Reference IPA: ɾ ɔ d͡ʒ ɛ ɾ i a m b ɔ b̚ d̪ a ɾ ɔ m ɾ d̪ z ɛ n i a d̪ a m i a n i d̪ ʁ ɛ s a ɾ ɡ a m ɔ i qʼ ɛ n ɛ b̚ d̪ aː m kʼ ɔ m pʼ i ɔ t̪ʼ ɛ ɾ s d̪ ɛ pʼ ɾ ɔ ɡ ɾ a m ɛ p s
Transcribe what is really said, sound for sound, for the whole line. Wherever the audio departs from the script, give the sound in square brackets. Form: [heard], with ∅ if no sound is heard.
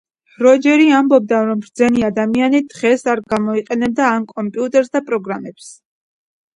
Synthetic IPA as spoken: ɾ ɔ d͡ʒ ɛ ɾ i a m b ɔ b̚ d̪ a ɾ ɔ m ɾ d̪ z ɛ n i a d̪ a m i a n i d̪ ʁ ɛ s a ɾ ɡ a m ɔ i qʼ ɛ n ɛ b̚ d̪ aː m kʼ ɔ m pʼ i [u] t̪ʼ ɛ ɾ s d̪ [a] pʼ ɾ ɔ ɡ ɾ a m ɛ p s

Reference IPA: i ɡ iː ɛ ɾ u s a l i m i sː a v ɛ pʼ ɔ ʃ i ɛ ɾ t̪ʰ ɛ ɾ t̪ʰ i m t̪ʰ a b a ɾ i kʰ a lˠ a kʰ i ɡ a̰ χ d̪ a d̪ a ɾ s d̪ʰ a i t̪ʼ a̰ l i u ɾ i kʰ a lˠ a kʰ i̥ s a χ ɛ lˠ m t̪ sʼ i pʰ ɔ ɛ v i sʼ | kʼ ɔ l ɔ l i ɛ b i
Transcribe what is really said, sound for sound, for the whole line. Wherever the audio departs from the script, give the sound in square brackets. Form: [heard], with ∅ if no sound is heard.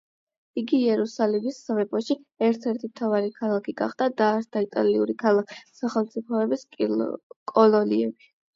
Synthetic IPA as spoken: i ɡ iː ɛ ɾ u s a l i m i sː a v ɛ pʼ ɔ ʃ i ɛ ɾ t̪ʰ ɛ ɾ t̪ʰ i m t̪ʰ a [v] a ɾ i kʰ a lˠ a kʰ i ɡ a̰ χ d̪ a d̪ a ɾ s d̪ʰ a i t̪ʼ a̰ l i u ɾ i kʰ a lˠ a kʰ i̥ s a χ ɛ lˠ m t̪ sʼ i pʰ ɔ ɛ [b] i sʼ | kʼ ɔ l ɔ l i ɛ b i

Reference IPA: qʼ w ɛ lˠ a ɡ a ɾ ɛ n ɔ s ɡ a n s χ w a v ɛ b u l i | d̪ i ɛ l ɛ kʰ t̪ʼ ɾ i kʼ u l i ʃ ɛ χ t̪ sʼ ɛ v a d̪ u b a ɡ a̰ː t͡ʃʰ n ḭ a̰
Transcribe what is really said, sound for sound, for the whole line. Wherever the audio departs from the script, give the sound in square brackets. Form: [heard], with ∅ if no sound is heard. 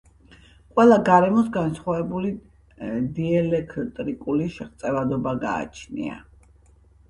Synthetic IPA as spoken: qʼ w ɛ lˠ a ɡ a ɾ ɛ [m] ɔ s ɡ a n s χ w a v ɛ b u l i | d̪ i ɛ l ɛ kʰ t̪ʼ ɾ i kʼ u l i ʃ ɛ χ t̪ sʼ ɛ v a d̪ [ɔ] b a ɡ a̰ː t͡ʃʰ n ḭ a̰

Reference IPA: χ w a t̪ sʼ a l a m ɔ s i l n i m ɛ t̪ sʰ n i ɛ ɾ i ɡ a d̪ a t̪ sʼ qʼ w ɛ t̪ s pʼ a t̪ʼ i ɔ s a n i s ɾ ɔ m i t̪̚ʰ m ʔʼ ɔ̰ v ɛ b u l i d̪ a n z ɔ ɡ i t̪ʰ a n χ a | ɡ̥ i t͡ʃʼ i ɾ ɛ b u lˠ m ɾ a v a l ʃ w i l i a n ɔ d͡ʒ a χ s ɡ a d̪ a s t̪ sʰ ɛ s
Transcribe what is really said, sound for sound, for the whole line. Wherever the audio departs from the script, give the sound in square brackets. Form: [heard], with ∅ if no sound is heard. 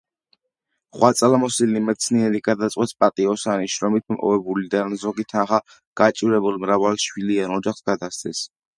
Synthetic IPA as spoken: χ w a t̪ sʼ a l a m ɔ s i l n i m ɛ t̪ sʰ n i ɛ ɾ i ɡ a d̪ a t̪ sʼ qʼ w ɛ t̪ s pʼ a t̪ʼ i ɔ s a n i [ʃ] ɾ ɔ m i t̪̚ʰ m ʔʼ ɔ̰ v ɛ b u l i d̪ a n z ɔ ɡ i t̪ʰ a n χ a | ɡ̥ [a] t͡ʃʼ i ɾ ɛ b u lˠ m ɾ a v a l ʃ w i l i a n ɔ d͡ʒ a χ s ɡ a d̪ a s t̪ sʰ ɛ s

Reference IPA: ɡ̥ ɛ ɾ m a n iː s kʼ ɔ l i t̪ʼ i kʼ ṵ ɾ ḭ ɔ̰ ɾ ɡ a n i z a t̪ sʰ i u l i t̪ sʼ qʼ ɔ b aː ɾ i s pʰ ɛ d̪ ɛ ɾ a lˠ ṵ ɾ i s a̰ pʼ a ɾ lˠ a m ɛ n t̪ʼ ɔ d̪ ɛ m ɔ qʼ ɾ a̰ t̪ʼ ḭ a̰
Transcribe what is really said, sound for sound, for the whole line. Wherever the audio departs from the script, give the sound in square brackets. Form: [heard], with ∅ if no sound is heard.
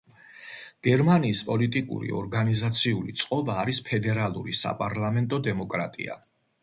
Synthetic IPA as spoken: ɡ̥ ɛ ɾ m a n iː s [pʼ] ɔ l i t̪ʼ i kʼ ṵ ɾ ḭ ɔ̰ ɾ ɡ a n i z a t̪ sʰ i u l i t̪ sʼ qʼ ɔ b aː ɾ i s pʰ ɛ d̪ ɛ ɾ a lˠ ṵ ɾ i s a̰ pʼ a ɾ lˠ a m ɛ n t̪ʼ ɔ d̪ ɛ m ɔ [kʼ] ɾ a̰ t̪ʼ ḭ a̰

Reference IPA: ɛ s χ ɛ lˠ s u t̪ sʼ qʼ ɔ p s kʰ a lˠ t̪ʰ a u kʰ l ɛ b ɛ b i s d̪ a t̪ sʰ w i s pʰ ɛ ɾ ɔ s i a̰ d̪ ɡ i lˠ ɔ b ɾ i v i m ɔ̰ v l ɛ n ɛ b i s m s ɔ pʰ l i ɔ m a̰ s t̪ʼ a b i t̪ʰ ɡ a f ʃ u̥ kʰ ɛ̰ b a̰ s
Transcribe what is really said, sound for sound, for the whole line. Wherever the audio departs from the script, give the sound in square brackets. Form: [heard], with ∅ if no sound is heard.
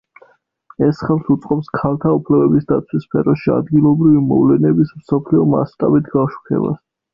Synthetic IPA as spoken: ɛ s χ ɛ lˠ s u t̪ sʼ qʼ ɔ p s kʰ a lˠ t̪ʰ a u [pʰ] l ɛ b ɛ b i s d̪ a t̪ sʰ w i s pʰ ɛ ɾ ɔ [ʃ] i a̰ d̪ ɡ i lˠ ɔ b ɾ i v i m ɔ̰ v l ɛ n ɛ b i s m s ɔ pʰ l i ɔ m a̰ s t̪ʼ a b i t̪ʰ ɡ a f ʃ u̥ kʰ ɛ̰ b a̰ s

